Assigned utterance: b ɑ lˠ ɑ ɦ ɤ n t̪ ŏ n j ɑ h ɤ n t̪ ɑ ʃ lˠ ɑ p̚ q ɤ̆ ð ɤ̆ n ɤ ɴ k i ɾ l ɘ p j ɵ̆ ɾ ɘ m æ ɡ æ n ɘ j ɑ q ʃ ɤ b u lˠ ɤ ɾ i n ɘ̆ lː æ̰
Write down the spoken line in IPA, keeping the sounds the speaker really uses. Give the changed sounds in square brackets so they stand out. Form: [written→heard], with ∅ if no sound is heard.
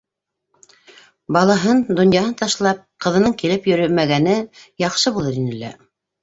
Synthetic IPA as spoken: b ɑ lˠ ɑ ɦ ɤ n [t̪→d̪] ŏ n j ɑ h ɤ n t̪ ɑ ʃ lˠ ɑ p̚ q ɤ̆ ð ɤ̆ n ɤ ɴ k i [ɾ→∅] l ɘ p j ɵ̆ ɾ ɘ m æ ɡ æ n ɘ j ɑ q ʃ ɤ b u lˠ ɤ ɾ i n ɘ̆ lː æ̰